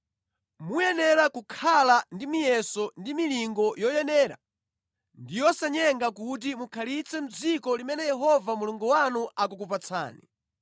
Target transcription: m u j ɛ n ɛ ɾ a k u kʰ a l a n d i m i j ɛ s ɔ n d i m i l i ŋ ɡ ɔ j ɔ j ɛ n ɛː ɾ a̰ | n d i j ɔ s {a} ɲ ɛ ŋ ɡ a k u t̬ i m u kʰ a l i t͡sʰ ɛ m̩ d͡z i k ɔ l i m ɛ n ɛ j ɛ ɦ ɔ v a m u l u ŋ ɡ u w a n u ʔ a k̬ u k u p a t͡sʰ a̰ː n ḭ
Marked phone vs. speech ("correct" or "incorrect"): correct